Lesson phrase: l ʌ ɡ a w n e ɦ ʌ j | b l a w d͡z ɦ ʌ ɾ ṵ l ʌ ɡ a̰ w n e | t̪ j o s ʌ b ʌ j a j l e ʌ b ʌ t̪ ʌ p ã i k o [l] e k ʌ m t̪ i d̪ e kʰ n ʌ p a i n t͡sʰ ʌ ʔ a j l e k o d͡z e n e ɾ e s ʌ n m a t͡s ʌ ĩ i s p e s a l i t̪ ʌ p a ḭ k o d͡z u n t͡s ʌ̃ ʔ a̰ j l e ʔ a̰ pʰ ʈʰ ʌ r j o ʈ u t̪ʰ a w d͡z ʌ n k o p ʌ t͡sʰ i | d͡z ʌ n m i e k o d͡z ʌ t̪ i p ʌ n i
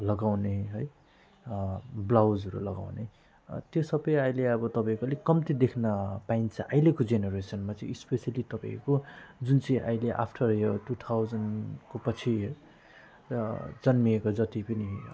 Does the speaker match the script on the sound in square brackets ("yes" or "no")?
yes